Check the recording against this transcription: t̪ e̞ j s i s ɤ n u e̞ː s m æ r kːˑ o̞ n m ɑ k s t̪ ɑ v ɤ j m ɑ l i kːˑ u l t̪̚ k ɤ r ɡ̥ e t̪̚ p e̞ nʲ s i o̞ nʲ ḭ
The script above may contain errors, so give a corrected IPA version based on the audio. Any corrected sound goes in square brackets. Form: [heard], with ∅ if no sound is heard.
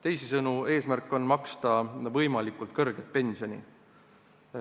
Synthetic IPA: t̪ e̞ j s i s ɤ n u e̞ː s m æ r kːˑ o̞ n m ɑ k s t̪ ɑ v ɤ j m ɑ l i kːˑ u l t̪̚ k ɤ r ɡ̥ e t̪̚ p e̞ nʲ s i o̞ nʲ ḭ